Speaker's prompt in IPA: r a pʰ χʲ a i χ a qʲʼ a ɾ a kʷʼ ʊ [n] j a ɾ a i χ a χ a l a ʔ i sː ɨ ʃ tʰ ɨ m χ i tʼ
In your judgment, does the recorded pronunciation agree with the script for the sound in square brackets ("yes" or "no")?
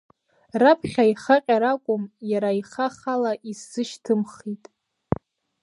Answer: no